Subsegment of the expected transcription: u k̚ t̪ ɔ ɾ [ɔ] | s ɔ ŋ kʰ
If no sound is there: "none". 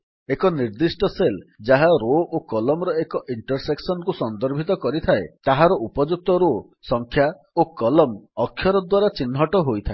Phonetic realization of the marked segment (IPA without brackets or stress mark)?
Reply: o